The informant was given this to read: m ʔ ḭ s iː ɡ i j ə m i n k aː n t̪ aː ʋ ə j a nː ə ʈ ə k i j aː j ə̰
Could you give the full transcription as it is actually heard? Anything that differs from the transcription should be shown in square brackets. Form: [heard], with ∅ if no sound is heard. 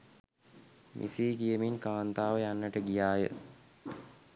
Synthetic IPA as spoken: m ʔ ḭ s iː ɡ i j ə m i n k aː n t̪ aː ʋ ə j a nː ə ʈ ə [ɡ] i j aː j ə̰